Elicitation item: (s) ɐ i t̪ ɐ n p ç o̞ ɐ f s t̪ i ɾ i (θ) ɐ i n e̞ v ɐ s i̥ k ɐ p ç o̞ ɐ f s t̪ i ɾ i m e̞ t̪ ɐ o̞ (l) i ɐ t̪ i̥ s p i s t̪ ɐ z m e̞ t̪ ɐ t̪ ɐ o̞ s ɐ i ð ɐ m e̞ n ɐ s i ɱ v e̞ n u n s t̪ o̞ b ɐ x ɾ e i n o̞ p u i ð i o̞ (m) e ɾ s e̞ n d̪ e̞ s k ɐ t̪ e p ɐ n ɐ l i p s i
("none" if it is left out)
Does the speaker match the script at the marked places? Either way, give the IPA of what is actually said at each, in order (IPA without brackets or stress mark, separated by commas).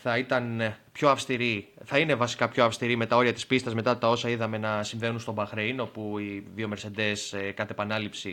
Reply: θ, θ, ɾ, m